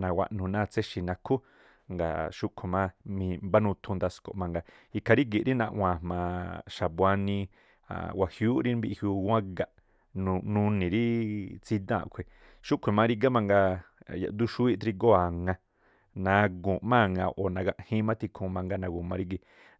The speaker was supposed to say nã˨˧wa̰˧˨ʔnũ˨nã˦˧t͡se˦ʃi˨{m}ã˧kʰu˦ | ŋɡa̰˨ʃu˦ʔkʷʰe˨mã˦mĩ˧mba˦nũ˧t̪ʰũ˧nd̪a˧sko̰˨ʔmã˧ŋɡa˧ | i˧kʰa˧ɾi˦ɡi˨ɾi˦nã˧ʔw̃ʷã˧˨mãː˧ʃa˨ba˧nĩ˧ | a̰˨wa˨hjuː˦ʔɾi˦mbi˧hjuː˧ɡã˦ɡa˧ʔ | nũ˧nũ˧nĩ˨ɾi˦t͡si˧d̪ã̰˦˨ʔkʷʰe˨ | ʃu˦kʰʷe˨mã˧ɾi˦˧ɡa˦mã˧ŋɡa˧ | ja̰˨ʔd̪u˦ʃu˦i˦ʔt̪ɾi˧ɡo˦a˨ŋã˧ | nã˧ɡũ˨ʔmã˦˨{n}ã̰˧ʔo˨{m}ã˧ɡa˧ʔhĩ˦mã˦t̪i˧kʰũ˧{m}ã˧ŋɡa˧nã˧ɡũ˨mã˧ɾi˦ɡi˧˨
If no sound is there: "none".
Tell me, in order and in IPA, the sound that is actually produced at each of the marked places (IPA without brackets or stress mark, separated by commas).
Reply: n, ŋ, n, m